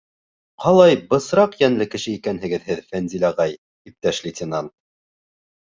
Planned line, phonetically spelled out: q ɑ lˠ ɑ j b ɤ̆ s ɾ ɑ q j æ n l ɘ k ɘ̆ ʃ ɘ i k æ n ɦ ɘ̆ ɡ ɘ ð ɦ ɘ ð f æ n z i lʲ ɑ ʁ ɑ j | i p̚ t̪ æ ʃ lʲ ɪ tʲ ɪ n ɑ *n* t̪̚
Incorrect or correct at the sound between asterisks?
correct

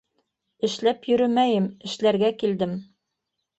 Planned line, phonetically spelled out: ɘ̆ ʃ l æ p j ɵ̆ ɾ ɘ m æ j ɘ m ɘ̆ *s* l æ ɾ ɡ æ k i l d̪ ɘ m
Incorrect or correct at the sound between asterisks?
incorrect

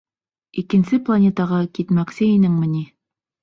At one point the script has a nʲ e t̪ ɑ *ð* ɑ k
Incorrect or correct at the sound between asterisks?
incorrect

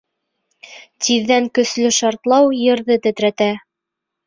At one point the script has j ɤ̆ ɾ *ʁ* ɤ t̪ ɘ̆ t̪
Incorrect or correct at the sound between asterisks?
incorrect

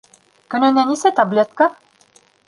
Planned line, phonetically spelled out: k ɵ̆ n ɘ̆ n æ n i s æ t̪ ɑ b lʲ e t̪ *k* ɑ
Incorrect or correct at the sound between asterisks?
correct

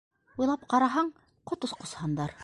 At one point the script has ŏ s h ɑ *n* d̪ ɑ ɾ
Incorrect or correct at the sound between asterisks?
correct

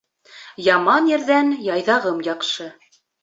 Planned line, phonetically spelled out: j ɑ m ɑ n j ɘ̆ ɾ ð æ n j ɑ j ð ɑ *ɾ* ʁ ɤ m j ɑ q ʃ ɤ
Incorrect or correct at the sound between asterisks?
incorrect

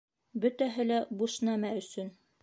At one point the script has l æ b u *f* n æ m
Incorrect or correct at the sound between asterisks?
incorrect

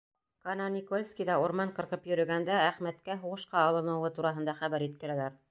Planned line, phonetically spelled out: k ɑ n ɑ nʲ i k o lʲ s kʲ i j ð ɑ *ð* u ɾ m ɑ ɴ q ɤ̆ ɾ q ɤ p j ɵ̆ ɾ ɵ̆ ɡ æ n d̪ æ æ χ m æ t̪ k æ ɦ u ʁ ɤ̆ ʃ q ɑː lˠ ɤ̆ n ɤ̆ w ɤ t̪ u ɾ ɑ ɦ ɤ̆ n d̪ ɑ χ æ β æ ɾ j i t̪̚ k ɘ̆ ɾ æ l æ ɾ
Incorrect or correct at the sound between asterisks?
incorrect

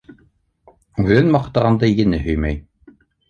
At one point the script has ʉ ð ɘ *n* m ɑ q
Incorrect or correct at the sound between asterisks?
correct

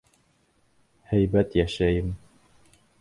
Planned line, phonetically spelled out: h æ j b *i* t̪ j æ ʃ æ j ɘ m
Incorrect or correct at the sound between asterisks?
incorrect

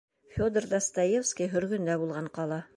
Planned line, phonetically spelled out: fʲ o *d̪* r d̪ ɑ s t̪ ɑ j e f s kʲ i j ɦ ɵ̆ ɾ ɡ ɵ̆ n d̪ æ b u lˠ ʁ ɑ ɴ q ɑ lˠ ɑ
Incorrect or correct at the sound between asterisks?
correct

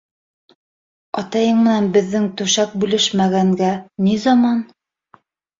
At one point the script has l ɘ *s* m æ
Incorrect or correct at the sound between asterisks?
incorrect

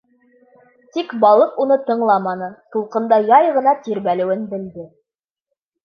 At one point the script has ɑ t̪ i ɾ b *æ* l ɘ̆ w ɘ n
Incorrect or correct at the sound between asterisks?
correct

